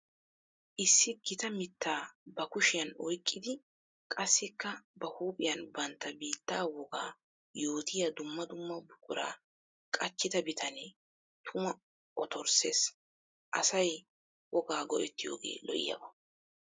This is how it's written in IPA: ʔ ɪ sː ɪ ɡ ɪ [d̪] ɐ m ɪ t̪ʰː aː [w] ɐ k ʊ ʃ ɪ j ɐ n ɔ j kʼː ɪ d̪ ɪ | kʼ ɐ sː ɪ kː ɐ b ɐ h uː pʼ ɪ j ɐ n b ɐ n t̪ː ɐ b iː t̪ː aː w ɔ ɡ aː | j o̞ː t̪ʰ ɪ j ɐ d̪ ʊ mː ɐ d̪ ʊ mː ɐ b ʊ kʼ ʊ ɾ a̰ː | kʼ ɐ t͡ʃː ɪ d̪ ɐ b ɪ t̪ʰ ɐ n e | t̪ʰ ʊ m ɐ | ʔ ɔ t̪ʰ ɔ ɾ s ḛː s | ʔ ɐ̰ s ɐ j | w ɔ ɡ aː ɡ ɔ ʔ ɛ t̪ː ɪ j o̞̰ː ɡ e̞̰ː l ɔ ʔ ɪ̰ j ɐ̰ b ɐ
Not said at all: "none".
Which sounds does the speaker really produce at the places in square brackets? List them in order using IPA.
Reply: t̪, b

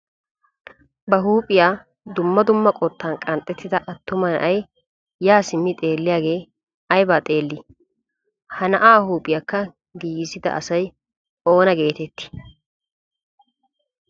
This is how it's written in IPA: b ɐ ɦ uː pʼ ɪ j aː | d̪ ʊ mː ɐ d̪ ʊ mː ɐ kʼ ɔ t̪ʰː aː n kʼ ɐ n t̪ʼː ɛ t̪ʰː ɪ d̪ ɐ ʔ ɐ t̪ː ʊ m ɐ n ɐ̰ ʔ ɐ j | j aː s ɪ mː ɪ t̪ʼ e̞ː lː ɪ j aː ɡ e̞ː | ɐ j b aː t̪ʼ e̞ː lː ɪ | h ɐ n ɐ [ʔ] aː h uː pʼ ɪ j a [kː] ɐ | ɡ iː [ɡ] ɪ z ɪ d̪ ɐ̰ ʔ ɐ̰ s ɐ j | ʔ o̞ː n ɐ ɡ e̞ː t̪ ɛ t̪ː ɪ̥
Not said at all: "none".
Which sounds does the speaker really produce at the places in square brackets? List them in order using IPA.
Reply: ʔ, kː, ɡ

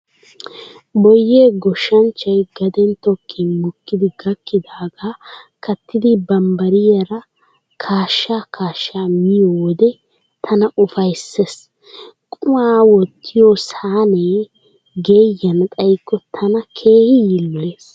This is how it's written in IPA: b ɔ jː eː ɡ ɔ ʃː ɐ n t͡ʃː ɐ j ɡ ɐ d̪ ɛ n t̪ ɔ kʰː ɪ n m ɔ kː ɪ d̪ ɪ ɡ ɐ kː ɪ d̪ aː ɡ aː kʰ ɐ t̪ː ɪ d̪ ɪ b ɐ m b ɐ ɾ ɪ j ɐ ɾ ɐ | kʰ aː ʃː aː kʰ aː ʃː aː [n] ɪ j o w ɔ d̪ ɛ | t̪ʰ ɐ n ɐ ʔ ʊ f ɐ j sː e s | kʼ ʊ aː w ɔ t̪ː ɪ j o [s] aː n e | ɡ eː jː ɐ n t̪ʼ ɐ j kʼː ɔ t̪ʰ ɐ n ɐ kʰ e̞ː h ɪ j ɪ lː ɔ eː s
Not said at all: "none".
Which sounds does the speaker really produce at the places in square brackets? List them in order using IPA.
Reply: m, s

